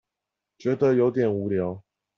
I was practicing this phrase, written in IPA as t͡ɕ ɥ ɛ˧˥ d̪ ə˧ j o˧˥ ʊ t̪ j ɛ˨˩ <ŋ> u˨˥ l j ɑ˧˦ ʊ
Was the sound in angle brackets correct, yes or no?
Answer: no